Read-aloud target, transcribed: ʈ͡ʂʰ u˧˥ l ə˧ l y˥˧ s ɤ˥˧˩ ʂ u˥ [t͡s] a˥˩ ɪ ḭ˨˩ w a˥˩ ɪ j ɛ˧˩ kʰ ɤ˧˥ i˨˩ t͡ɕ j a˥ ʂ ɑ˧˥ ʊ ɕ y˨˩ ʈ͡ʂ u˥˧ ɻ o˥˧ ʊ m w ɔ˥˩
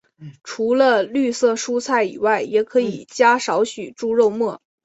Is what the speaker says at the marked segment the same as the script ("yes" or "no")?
no